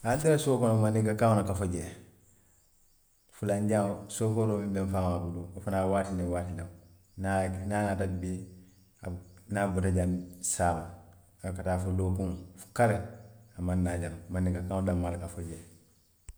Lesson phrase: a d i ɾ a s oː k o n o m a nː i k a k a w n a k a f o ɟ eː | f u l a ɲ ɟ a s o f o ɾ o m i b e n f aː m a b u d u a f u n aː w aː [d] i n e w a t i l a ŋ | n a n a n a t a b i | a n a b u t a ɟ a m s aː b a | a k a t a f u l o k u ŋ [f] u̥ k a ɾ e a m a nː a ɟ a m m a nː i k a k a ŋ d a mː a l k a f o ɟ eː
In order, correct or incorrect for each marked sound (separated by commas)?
incorrect, correct